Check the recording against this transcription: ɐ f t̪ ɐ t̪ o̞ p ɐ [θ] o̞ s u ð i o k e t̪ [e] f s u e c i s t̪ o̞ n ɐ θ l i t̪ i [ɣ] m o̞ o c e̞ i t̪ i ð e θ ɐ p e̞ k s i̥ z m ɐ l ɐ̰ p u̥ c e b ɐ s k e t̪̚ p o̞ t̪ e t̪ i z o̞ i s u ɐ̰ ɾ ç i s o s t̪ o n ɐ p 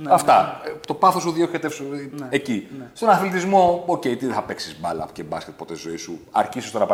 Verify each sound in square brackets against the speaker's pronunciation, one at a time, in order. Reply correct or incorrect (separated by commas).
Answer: correct, correct, incorrect